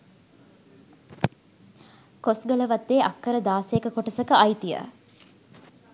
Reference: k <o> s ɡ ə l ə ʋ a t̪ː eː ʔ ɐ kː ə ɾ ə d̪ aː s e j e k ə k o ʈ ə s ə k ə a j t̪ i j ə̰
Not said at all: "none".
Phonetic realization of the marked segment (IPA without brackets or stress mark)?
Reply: o